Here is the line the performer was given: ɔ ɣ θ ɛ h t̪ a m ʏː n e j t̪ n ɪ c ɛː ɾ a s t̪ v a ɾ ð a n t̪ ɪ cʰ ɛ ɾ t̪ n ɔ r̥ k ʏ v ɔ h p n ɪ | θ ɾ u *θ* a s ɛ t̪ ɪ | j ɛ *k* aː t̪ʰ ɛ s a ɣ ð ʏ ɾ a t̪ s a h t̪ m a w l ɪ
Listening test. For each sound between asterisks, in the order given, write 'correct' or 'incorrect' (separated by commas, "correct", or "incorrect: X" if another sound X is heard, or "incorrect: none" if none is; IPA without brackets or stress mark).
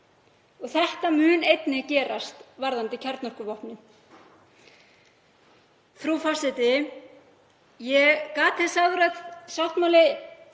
incorrect: f, correct